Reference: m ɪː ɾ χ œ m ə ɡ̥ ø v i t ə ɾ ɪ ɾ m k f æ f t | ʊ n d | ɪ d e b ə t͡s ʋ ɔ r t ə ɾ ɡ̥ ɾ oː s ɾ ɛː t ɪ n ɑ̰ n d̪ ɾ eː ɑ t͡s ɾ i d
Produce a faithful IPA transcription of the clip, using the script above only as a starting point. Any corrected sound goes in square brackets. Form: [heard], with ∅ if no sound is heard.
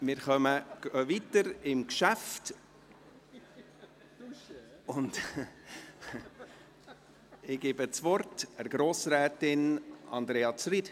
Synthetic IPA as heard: m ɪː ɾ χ œ m ə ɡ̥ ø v i t ə ɾ ɪ [∅] m k [ʃ] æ f t | ʊ n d | ɪ [ɡ] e b ə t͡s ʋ ɔ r t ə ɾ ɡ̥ ɾ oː s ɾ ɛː t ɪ n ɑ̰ n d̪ ɾ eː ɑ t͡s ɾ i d